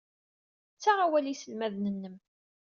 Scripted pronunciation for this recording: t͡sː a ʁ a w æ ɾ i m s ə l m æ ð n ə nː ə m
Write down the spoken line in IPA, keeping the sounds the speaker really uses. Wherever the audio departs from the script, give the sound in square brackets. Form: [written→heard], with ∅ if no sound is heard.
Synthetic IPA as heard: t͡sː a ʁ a w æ [ɾ→l] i [m→∅] s ə l m æ ð n ə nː ə m